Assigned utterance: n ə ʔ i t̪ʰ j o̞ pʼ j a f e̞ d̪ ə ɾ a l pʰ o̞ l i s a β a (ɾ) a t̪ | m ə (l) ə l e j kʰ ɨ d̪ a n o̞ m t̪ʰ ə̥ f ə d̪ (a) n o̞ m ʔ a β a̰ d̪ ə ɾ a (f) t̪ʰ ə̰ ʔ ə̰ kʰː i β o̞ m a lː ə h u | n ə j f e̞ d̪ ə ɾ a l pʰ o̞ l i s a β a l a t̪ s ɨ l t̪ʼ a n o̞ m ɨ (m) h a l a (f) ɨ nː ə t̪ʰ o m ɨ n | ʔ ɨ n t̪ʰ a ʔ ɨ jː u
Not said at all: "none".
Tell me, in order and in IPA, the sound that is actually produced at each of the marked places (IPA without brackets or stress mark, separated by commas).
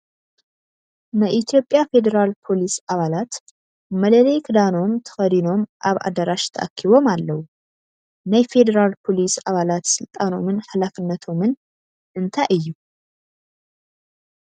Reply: l, l, i, ʃ, n, f